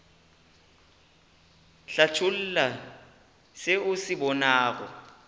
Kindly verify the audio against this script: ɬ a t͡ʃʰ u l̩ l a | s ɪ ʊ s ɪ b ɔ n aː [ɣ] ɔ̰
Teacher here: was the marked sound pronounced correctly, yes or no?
yes